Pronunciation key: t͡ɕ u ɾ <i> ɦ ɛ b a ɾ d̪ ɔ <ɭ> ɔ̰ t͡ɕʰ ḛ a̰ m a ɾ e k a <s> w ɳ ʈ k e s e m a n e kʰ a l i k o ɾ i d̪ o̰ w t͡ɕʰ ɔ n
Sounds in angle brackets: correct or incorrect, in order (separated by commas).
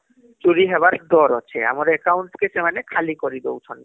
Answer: correct, incorrect, incorrect